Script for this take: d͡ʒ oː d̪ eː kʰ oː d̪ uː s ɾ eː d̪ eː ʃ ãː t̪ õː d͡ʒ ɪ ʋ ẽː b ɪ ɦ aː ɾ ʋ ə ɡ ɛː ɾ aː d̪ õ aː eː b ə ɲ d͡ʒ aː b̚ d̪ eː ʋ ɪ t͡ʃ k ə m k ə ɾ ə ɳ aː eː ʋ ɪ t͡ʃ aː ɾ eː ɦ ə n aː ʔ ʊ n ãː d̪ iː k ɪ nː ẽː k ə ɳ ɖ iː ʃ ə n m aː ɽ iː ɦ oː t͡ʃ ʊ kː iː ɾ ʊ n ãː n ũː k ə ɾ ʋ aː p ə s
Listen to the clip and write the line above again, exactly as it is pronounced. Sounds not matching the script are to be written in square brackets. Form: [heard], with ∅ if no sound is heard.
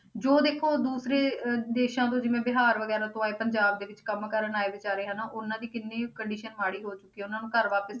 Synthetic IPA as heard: d͡ʒ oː d̪ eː kʰ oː d̪ uː s ɾ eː d̪ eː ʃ ãː t̪ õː d͡ʒ ɪ ʋ ẽː b ɪ ɦ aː ɾ ʋ ə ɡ ɛː ɾ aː [t̪] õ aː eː [p] ə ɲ d͡ʒ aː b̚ d̪ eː ʋ ɪ t͡ʃ k ə m k ə ɾ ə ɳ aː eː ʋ ɪ t͡ʃ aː ɾ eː ɦ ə n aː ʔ ʊ n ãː d̪ iː k ɪ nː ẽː k ə ɳ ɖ iː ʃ ə n m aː ɽ iː ɦ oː t͡ʃ ʊ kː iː [∅] ʊ n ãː n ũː k ə ɾ ʋ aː p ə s